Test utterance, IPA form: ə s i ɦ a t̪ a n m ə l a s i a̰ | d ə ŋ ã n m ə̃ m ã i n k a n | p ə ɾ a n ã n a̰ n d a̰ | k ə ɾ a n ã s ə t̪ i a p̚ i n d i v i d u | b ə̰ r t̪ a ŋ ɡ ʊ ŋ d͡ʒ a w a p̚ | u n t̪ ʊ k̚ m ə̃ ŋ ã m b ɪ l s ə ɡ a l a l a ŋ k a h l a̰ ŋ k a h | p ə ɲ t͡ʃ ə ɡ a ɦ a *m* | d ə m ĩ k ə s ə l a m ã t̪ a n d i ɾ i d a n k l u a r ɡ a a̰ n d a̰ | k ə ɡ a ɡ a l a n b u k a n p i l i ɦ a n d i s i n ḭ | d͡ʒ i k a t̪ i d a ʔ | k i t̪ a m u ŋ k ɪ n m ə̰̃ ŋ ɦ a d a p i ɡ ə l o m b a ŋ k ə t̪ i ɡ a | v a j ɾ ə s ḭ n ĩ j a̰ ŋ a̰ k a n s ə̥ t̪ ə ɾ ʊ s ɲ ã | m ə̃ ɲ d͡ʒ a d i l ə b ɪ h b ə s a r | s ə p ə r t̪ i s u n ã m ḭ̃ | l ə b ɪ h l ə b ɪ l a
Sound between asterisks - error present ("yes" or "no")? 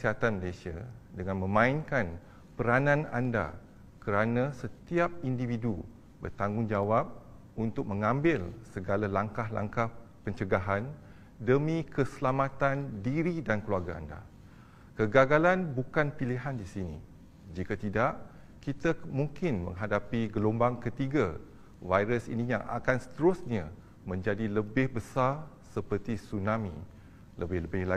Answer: yes